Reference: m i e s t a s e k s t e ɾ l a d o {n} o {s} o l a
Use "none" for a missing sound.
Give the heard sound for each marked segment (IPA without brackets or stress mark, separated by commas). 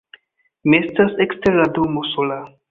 m, s